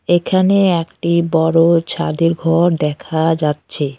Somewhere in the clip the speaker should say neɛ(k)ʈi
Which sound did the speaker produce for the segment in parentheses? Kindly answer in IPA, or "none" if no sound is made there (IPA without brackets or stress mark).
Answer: k